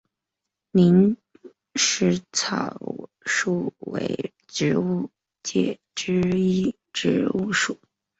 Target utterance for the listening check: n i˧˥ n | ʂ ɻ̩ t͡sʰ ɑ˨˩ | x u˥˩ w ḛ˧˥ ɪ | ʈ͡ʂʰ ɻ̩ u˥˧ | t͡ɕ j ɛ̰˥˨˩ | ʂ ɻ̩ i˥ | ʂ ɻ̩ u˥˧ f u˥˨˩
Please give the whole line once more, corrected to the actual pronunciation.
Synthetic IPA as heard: n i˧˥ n | ʂ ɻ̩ t͡sʰ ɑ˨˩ | ʂ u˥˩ w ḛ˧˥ ɪ | ʈ͡ʂ ɻ̩ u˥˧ | t͡ɕ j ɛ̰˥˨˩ | ʈ͡ʂ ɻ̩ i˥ | ʈ͡ʂ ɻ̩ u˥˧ ʂ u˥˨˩